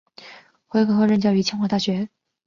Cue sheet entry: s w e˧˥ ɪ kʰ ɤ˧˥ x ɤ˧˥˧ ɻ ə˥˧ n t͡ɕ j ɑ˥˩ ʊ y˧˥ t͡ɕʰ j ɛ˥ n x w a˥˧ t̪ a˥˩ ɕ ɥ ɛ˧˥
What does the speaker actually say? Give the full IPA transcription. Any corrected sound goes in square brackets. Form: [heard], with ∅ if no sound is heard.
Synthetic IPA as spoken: [x] w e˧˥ ɪ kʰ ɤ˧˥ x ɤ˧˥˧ ɻ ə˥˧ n t͡ɕ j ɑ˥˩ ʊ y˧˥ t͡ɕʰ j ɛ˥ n x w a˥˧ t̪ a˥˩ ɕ ɥ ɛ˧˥